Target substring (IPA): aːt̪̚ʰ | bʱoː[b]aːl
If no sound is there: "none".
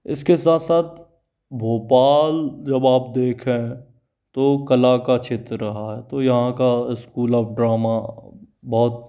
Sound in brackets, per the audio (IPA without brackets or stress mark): p